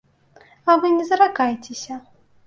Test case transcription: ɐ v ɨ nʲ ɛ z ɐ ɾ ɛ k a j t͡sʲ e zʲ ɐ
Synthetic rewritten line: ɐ v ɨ nʲ ɛ z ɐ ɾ a k a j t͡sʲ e sʲ ɐ